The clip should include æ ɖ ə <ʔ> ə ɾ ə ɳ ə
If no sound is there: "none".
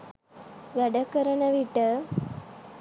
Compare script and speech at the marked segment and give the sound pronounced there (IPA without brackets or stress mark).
k